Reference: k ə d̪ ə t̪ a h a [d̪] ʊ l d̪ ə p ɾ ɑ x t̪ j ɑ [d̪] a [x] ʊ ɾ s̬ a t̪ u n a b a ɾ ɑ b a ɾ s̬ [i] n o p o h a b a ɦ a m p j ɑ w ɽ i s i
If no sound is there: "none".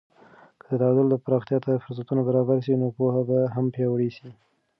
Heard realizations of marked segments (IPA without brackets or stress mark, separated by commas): d̪, t̪, f, i